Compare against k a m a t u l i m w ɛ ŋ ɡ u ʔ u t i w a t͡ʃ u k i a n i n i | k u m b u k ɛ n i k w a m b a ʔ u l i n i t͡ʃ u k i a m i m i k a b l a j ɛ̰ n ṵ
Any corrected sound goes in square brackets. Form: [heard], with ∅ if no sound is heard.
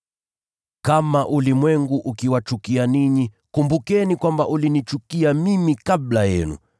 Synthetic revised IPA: k a m a [ʔ] u l i m w ɛ ŋ ɡ u ʔ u [k] i w a t͡ʃ u k i a n i [ɲ] i | k u m b u k ɛ n i k w a m b a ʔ u l i n i t͡ʃ u k i a m i m i k a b l a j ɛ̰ n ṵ